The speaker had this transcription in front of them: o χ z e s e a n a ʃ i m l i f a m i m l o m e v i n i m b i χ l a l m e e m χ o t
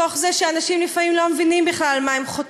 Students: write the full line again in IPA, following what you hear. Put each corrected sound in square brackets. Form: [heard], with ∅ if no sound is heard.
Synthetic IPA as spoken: o χ z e [ʃ] e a n a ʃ i m l i f a m i m l o m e v i n i m b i χ l a l m [a] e m χ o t